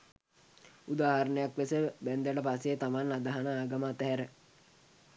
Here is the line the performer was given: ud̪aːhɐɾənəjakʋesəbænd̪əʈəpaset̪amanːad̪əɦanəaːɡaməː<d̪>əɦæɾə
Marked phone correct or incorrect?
incorrect